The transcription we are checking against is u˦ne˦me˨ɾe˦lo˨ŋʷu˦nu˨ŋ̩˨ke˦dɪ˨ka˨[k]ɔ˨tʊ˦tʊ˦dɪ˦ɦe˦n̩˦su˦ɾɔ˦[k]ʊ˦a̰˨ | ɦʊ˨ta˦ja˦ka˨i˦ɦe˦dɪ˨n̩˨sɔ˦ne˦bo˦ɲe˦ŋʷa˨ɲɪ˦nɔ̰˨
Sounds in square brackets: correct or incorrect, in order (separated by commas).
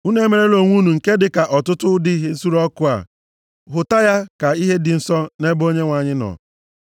incorrect, correct